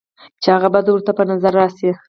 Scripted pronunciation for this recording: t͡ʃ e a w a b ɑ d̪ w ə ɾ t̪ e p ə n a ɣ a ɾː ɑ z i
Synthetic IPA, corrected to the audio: t͡ʃ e a ɣ a b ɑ d̪ w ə ɾ t̪ a p ə n a z a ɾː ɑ s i